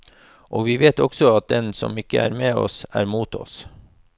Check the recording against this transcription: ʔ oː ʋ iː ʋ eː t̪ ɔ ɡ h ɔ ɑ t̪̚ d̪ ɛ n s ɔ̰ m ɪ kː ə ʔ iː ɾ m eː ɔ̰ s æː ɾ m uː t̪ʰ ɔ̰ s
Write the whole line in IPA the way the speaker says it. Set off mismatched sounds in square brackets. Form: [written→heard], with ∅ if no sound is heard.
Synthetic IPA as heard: ʔ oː ʋ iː ʋ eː t̪ ɔ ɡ [h→s] ɔ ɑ t̪̚ d̪ ɛ n s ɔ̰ m ɪ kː ə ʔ [iː→æː] ɾ m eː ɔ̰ s æː ɾ m uː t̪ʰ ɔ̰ s

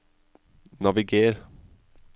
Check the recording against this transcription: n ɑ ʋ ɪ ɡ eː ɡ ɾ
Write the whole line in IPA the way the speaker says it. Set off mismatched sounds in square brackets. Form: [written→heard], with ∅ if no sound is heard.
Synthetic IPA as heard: n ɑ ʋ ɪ ɡ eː [ɡ→∅] ɾ

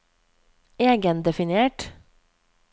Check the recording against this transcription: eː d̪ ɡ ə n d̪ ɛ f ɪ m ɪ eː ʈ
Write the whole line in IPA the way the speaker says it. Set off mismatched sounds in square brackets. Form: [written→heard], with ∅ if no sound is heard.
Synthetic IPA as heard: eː [d̪→∅] ɡ ə n d̪ ɛ f ɪ [m→n] ɪ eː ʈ

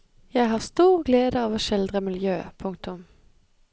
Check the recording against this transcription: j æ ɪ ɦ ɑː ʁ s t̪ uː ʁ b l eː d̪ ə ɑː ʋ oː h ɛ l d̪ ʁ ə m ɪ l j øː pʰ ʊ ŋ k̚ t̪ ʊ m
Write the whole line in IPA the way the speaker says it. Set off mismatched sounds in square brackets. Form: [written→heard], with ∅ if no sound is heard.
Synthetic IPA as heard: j æ ɪ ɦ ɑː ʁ s t̪ uː ʁ [b→ɡ] l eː d̪ ə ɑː ʋ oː [h→ʃ] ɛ l d̪ ʁ ə m ɪ l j øː pʰ ʊ ŋ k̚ t̪ ʊ m

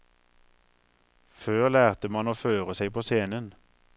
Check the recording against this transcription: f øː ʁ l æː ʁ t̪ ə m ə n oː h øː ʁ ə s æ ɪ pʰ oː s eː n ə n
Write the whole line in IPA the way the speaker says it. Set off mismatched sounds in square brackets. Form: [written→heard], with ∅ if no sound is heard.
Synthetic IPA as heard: f øː ʁ l æː ʁ t̪ ə m [ə→ɑ] n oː [h→f] øː ʁ ə s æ ɪ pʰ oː s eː n ə n

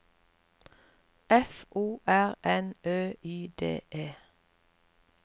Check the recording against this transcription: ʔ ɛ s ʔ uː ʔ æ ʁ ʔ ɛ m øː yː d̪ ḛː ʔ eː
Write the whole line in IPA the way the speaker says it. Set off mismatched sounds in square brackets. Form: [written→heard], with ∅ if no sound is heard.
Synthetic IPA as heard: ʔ ɛ [s→f] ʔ uː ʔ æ ʁ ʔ ɛ [m→n] øː yː d̪ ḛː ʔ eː

